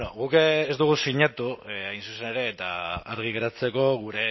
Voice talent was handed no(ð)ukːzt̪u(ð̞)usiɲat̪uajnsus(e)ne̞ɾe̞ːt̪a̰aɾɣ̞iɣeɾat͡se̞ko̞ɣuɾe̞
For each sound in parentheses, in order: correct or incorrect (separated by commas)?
incorrect, incorrect, correct